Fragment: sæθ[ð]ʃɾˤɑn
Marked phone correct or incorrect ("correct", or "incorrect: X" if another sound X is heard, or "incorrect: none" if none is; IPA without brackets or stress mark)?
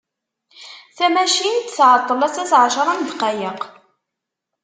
incorrect: ʕ